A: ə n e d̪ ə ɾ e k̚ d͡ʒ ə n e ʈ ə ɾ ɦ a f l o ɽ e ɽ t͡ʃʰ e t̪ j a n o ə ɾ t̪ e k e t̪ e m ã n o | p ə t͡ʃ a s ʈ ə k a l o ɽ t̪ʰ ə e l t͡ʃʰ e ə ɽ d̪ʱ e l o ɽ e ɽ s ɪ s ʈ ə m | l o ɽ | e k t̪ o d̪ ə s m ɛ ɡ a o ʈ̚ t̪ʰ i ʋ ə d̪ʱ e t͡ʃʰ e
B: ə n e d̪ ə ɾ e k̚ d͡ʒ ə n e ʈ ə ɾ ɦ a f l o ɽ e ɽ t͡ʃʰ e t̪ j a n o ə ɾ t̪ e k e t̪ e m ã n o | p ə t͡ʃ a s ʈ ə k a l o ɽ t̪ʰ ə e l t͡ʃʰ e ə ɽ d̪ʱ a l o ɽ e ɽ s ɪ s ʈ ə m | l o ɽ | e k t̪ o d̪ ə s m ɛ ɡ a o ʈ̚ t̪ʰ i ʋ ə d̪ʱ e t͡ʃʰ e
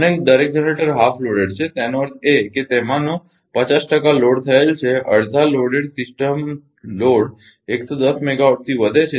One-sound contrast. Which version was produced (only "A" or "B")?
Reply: B